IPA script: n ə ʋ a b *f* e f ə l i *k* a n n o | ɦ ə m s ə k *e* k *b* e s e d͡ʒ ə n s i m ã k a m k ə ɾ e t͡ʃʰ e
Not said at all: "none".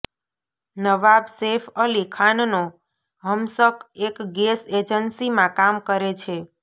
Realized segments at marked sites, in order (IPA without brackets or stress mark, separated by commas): s, kʰ, e, ɡ